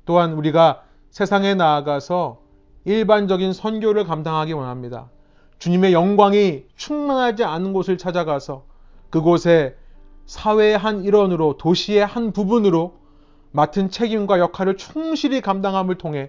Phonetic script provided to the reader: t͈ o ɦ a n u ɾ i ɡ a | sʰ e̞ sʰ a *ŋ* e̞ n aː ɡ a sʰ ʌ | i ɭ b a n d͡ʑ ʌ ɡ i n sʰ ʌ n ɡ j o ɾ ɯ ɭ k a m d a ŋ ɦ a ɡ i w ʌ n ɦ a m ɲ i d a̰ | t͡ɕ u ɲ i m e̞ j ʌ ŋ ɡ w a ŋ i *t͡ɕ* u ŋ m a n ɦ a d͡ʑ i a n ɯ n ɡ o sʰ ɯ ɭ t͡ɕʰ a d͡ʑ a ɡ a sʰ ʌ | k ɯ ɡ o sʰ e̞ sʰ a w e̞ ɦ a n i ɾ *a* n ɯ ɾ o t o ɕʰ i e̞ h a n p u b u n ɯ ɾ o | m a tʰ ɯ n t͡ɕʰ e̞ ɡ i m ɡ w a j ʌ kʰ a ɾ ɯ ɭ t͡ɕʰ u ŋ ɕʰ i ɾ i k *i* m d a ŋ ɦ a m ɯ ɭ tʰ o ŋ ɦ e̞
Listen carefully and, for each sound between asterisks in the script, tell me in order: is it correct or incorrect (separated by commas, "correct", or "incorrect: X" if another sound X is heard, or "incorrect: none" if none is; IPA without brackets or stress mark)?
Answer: correct, incorrect: t͡ɕʰ, incorrect: ʌ, incorrect: a